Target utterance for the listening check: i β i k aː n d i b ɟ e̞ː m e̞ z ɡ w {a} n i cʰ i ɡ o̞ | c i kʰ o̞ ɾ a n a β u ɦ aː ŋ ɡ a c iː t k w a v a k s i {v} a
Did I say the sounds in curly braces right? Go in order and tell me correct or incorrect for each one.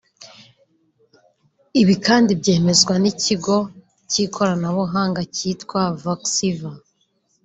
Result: correct, correct

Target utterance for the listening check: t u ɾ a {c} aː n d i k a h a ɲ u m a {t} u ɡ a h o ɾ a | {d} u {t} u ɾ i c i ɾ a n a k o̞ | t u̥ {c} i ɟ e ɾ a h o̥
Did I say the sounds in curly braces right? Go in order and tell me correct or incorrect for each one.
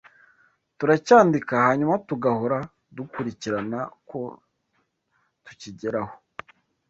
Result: correct, correct, correct, incorrect: k, correct

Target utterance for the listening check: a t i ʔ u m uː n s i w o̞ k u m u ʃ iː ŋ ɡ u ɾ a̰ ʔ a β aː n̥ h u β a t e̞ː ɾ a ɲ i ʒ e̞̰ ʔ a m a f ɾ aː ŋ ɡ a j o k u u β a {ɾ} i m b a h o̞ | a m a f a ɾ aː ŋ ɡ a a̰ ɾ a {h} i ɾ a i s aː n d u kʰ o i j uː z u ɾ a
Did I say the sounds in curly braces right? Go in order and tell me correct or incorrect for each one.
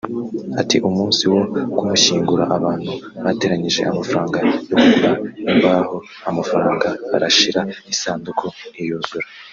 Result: incorrect: none, incorrect: ʃ

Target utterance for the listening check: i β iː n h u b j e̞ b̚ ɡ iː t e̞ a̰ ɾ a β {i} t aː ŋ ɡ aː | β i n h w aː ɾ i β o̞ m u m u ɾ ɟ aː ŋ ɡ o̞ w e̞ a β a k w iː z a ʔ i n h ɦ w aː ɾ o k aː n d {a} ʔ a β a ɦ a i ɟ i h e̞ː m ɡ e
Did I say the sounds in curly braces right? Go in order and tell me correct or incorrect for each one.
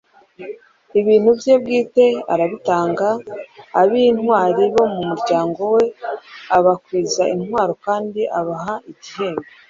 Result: correct, incorrect: i

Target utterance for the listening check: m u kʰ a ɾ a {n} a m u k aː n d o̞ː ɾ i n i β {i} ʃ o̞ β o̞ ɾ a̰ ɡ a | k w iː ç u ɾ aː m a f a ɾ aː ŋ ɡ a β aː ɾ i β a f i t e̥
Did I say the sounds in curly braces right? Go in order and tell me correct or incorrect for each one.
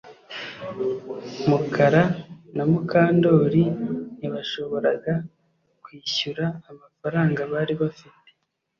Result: correct, incorrect: a

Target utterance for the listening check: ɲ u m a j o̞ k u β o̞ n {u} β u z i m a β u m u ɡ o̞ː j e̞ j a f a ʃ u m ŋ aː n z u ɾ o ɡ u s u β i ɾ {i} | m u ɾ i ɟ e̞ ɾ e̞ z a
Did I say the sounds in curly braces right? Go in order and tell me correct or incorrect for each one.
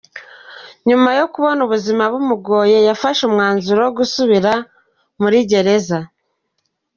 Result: correct, incorrect: a

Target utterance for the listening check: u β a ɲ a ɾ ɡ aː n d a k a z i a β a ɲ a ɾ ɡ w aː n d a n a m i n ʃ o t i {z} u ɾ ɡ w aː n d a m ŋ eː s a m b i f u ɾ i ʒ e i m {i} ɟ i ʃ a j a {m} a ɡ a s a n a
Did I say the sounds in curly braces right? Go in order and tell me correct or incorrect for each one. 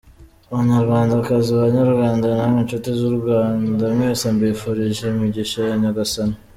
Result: correct, correct, incorrect: ɲ

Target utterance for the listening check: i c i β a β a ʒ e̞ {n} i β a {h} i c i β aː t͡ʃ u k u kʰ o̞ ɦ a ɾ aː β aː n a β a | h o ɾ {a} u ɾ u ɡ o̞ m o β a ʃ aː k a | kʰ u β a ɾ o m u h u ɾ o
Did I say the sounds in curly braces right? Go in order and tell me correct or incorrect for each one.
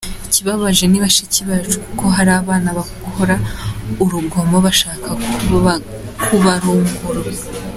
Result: correct, incorrect: ʃ, correct

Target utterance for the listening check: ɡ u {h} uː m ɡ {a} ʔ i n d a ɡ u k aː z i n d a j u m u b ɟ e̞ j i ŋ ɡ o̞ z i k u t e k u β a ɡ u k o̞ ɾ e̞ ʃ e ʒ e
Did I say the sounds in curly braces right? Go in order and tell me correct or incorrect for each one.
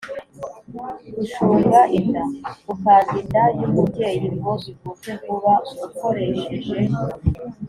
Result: incorrect: ʃ, correct

